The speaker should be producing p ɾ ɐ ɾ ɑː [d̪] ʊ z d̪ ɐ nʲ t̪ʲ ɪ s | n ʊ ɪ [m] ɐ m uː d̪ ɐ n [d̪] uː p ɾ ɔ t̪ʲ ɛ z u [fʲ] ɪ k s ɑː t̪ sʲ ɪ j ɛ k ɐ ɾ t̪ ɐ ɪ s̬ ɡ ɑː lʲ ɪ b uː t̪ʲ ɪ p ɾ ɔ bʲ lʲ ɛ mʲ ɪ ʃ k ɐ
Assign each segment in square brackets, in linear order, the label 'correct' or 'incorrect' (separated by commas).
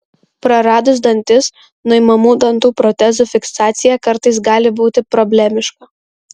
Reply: correct, correct, incorrect, correct